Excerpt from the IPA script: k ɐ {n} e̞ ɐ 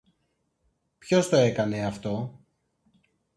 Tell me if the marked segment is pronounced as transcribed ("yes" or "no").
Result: yes